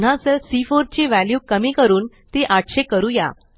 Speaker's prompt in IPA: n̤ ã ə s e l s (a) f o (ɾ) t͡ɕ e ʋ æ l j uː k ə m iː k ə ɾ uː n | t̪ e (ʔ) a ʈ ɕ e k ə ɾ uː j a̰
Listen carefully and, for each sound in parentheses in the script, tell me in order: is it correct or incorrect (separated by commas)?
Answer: incorrect, correct, correct